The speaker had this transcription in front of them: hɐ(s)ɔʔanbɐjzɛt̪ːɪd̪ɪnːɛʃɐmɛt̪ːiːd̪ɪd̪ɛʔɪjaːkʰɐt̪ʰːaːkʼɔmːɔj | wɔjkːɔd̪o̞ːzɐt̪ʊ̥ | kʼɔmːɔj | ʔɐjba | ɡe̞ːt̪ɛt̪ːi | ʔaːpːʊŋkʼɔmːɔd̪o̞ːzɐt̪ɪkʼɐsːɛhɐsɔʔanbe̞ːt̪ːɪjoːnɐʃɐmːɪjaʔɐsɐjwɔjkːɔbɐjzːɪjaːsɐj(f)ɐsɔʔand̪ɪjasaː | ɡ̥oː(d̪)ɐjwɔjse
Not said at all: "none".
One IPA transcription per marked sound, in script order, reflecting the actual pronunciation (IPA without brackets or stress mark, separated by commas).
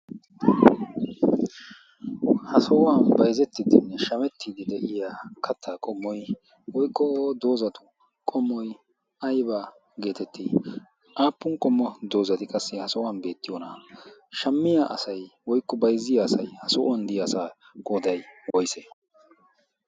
s, h, d̪